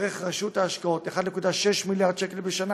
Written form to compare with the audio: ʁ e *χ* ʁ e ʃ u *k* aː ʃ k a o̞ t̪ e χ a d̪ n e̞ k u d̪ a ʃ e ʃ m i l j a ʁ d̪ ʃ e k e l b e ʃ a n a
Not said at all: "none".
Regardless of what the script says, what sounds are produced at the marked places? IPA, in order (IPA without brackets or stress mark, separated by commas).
χ, t